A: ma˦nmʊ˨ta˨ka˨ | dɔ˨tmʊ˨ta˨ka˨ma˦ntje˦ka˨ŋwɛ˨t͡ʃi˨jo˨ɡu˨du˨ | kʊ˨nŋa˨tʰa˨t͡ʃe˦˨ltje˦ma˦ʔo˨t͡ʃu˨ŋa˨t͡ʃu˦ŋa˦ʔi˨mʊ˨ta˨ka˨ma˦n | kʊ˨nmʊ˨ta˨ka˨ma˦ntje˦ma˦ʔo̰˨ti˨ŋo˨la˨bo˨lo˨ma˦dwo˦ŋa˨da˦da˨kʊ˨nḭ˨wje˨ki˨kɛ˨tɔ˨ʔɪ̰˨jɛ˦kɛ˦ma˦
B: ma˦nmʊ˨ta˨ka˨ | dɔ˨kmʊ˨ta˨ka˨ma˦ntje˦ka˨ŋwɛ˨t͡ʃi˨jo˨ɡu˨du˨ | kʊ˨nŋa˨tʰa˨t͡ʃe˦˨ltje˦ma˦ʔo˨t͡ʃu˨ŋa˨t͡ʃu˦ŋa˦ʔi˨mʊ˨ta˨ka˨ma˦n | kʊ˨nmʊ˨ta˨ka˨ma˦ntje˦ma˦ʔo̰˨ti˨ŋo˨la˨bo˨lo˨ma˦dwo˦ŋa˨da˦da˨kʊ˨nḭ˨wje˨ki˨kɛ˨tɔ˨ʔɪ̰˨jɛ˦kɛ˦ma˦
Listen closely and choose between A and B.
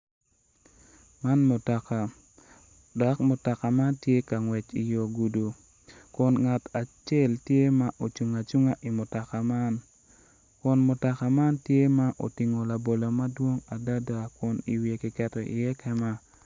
B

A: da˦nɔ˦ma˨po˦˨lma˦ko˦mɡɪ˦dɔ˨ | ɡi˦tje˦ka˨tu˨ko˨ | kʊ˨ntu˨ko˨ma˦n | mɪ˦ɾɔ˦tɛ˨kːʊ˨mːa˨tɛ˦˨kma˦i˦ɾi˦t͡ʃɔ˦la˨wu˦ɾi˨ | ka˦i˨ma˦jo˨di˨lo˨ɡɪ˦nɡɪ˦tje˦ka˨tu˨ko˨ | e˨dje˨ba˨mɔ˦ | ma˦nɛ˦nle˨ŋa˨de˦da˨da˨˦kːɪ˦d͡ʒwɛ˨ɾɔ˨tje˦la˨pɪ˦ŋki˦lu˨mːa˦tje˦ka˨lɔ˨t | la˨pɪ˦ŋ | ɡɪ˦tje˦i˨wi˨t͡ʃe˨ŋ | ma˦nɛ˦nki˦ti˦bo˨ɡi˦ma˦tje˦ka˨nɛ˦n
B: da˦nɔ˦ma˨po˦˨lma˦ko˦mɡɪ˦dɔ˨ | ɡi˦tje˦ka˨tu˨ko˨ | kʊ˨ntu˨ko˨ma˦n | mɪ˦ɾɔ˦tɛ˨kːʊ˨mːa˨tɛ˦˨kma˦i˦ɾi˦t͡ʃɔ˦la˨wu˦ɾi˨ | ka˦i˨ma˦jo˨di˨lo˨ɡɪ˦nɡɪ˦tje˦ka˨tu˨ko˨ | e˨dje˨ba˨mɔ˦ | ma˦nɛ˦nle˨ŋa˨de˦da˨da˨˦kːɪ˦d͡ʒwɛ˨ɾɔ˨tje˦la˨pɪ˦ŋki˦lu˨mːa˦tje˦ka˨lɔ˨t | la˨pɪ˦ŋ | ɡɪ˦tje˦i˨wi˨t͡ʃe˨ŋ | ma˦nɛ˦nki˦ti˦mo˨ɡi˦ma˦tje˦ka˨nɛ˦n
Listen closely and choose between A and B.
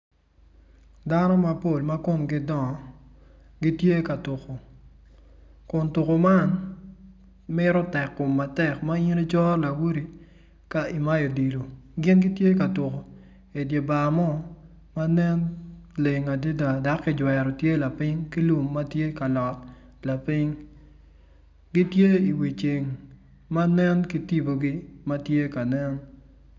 A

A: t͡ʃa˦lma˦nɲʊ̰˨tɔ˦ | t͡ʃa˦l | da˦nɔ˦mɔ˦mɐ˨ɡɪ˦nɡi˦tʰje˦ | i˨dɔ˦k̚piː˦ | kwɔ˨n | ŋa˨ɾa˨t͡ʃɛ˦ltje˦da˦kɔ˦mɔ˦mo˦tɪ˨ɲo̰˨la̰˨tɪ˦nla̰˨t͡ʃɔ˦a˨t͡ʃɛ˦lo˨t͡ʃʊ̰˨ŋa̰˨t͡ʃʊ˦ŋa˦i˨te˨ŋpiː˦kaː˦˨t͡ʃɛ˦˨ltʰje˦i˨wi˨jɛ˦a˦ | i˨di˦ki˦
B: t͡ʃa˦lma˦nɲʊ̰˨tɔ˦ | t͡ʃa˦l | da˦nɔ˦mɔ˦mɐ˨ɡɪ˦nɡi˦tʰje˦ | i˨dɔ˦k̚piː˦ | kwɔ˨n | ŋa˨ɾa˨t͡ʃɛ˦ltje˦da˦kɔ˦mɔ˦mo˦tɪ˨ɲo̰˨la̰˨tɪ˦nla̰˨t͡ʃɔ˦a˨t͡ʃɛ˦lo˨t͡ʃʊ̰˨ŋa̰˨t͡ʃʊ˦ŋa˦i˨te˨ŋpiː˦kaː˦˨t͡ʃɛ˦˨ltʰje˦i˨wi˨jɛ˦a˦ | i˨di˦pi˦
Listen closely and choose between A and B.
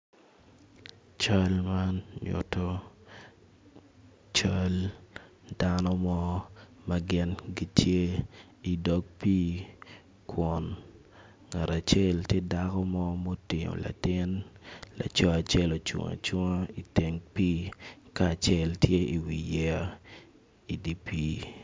B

